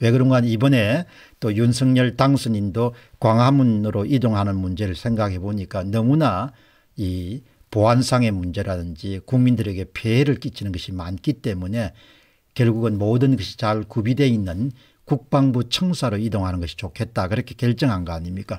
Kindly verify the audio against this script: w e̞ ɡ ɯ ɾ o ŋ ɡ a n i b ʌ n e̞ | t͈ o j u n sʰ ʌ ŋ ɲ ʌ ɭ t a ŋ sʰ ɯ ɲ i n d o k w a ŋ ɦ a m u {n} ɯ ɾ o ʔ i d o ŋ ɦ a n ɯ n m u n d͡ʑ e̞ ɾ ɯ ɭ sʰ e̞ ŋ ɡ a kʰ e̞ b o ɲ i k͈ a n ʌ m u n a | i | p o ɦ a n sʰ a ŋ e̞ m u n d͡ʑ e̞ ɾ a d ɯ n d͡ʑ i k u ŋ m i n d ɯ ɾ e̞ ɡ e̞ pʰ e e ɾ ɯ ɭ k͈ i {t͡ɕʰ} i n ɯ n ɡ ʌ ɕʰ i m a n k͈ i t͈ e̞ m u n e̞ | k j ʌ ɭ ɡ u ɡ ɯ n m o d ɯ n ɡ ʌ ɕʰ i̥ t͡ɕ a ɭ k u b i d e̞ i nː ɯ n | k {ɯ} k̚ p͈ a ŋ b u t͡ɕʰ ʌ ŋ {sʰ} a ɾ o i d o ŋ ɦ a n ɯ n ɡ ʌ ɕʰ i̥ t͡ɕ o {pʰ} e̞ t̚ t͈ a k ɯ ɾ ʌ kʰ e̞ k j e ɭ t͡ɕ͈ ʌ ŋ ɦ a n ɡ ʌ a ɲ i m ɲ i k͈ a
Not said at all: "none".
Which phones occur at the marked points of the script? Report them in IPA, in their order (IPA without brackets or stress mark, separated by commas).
n, t͡ɕʰ, u, sʰ, kʰ